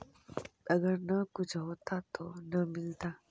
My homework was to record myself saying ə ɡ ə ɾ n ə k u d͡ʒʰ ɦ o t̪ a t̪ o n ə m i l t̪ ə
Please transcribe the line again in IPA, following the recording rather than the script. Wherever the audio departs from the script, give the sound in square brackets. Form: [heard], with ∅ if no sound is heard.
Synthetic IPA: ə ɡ ə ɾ n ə k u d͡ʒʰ ɦ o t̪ a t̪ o n ə m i l t̪ [a]